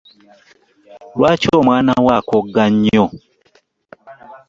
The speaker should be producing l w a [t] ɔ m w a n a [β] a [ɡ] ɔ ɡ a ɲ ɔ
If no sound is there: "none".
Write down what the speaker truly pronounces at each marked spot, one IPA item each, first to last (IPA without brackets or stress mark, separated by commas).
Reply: t͡ʃ, w, k